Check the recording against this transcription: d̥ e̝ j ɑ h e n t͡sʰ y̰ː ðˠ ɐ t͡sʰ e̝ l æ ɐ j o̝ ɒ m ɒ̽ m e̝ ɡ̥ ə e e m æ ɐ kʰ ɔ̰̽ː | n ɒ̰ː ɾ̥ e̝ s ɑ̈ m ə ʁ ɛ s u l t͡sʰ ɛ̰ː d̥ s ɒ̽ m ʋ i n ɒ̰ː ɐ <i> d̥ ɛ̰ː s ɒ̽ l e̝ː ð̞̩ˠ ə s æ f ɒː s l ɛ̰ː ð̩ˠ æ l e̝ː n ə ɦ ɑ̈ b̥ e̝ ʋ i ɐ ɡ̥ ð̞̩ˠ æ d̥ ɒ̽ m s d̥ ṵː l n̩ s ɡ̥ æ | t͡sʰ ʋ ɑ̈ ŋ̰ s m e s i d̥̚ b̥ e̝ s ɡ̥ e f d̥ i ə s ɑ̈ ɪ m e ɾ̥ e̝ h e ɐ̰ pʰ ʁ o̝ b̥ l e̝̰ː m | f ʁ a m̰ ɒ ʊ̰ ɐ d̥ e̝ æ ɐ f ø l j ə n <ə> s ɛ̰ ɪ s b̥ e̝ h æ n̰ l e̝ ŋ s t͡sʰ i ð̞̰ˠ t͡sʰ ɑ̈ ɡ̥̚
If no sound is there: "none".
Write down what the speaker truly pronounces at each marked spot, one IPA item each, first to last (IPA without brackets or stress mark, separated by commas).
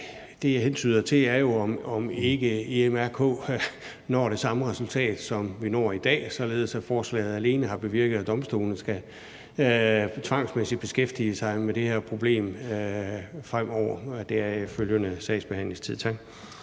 i, ə